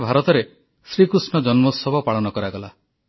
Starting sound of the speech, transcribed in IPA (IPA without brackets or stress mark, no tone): bʱ